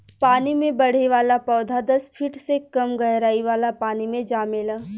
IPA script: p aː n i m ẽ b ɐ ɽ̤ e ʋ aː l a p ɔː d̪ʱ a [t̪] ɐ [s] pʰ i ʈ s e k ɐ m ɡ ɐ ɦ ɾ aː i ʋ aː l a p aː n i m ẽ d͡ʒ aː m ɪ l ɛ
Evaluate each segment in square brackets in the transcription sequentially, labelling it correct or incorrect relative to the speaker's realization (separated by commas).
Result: incorrect, correct